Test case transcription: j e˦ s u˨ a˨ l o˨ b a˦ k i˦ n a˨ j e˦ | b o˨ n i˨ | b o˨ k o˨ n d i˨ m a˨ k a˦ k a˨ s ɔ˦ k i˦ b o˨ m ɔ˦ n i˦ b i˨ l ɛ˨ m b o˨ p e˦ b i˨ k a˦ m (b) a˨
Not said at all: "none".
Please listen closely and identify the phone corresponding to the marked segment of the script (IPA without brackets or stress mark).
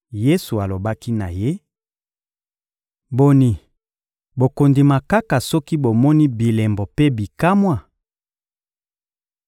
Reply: w